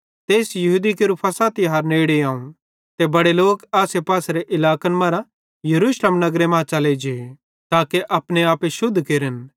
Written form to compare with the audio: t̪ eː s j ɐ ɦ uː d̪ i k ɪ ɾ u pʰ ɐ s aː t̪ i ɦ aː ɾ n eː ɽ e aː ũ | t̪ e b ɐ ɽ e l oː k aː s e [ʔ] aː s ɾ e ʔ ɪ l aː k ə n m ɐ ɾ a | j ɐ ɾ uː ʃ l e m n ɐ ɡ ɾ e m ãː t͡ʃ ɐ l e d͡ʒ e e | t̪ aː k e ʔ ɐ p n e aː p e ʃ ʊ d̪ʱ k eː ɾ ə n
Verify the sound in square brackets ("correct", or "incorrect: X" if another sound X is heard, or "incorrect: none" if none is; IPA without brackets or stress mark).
incorrect: p